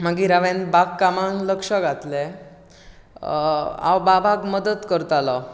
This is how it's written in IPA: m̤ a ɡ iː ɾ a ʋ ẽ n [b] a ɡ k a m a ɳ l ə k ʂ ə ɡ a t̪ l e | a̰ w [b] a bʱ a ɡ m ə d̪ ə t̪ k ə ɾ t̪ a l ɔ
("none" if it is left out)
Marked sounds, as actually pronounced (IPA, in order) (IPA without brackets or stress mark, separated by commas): b, b